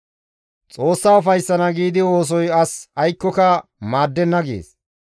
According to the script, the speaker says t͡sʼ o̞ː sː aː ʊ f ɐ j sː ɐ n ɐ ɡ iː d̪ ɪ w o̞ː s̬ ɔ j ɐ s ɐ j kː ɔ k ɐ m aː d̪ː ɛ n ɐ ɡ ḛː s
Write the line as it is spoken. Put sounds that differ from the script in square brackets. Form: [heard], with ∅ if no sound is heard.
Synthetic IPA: t͡sʼ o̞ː sː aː ʊ f ɐ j sː ɐ n ɐ ɡ iː d̪ ɪ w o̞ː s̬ ɔ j ɐ s ɐ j kː ɔ k ɐ m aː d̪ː ɛ [nː] ɐ ɡ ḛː s

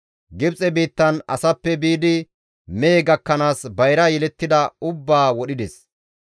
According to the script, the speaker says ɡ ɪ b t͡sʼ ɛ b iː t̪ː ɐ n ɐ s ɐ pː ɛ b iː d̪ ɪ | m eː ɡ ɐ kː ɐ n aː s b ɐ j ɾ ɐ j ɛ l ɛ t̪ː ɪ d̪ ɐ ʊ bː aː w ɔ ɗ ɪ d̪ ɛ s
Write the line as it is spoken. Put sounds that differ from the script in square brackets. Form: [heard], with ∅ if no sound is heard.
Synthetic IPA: ɡ ɪ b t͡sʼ ɛ b iː t̪ː ɐ n ɐ s ɐ pː ɛ b iː d̪ ɪ | m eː ɡ ɐ kː ɐ n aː s b ɐ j ɾ ɐ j ɛ l ɛ t̪ː ɪ d̪ ɐ ʊ bː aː w ɔ ɗ ɪ d̪ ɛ s

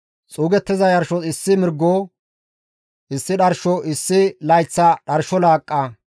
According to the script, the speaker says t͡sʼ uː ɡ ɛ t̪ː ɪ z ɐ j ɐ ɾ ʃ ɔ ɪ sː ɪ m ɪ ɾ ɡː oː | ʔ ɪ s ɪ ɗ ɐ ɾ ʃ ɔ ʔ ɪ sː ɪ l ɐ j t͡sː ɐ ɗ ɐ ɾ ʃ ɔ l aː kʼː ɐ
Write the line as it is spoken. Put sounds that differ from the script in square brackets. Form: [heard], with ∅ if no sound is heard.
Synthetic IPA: t͡sʼ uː ɡ ɛ t̪ː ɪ z ɐ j ɐ ɾ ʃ ɔ ɪ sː ɪ m ɪ ɾ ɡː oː | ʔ ɪ [sː] ɪ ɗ ɐ ɾ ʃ ɔ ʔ ɪ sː ɪ l ɐ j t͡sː ɐ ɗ ɐ ɾ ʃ ɔ l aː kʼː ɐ

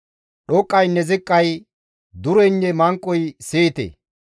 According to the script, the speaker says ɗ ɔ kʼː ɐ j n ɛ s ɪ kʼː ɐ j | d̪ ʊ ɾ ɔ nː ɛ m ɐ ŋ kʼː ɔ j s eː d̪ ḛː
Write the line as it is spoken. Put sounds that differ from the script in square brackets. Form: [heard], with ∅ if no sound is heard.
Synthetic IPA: ɗ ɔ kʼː ɐ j n ɛ [z] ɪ kʼː ɐ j | d̪ ʊ ɾ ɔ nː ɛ m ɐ ŋ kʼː ɔ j s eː [t̪] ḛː

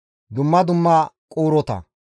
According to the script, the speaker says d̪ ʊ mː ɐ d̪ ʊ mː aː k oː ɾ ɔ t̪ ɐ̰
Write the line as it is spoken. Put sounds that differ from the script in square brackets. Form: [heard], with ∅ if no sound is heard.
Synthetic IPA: d̪ ʊ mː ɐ d̪ ʊ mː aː [kʼ] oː ɾ ɔ t̪ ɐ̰

